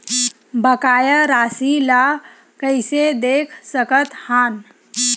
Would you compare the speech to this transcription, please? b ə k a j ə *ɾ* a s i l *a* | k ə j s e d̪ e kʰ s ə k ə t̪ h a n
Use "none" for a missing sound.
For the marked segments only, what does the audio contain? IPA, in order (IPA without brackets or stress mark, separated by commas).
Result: ɾ, a